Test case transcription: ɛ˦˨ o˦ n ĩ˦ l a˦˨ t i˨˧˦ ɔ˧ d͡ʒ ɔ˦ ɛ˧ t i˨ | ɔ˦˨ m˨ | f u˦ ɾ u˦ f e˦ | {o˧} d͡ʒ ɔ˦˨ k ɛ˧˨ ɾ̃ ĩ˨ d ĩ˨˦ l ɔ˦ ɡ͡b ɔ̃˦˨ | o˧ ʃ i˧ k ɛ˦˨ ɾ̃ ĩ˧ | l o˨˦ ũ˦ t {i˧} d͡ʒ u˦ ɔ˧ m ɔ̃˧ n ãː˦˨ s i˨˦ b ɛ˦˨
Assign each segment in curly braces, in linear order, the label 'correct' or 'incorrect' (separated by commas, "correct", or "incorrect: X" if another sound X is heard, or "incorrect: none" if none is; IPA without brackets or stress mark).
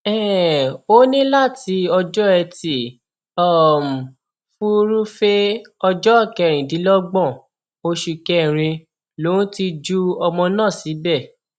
incorrect: ɔ˧, correct